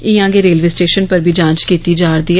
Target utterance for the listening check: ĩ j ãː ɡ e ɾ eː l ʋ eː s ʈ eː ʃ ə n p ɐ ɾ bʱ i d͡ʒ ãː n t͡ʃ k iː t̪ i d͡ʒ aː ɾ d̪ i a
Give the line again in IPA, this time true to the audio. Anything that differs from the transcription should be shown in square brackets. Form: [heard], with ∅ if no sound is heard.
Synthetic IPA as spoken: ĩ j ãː ɡ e ɾ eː l ʋ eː s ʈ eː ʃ ə n p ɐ ɾ bʱ i d͡ʒ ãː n t͡ʃ k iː t̪ i d͡ʒ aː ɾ d̪ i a